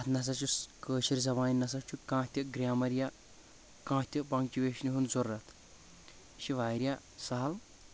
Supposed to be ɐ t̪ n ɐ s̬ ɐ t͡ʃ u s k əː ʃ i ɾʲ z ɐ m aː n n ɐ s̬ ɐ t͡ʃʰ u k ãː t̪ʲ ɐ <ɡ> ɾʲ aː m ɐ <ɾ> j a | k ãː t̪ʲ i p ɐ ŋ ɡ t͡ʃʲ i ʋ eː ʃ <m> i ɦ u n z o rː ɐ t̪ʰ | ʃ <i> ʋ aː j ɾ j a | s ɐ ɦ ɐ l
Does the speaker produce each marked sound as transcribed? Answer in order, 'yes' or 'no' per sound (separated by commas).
yes, yes, no, yes